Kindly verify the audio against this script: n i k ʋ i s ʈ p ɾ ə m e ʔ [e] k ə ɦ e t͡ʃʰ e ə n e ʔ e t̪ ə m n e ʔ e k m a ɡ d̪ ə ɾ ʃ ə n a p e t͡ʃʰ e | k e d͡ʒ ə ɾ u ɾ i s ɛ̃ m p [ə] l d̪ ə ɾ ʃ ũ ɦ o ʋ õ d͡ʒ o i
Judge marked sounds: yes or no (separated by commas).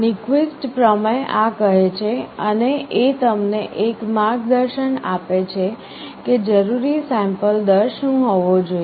no, yes